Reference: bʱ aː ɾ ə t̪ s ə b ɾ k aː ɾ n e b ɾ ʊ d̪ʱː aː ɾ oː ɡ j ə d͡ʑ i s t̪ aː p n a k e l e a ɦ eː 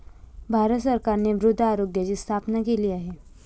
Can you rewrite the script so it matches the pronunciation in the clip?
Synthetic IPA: bʱ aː ɾ ə t̪ s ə ɾ k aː ɾ n e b ɾ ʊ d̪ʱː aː ɾ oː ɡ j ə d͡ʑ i s t̪ʰ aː p n a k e l i a ɦ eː